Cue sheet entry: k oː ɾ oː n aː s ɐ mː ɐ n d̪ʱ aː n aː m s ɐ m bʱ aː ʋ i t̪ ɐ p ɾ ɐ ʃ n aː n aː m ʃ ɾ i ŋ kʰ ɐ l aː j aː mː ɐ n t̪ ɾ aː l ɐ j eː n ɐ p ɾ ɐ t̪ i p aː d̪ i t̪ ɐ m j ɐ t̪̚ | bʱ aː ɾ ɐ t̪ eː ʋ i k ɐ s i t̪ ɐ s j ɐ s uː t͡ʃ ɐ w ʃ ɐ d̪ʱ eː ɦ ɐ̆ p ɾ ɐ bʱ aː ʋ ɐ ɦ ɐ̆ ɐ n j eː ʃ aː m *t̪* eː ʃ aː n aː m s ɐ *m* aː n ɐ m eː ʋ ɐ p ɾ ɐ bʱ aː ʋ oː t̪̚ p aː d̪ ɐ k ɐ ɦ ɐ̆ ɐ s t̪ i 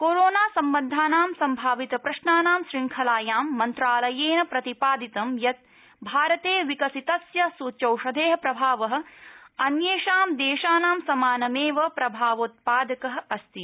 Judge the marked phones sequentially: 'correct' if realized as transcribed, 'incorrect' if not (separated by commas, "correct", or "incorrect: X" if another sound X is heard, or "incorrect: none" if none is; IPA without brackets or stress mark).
incorrect: d̪, correct